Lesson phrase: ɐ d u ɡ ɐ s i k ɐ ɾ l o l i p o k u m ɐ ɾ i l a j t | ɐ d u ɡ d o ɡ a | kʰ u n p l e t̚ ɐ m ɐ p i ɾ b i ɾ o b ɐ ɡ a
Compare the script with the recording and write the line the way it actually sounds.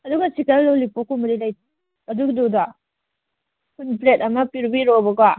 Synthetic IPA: ɐ d u ɡ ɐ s i k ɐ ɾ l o l i p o k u m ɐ ɾ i l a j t | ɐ d u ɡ d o d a | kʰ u n p l e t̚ ɐ m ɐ p i ɾ b i ɾ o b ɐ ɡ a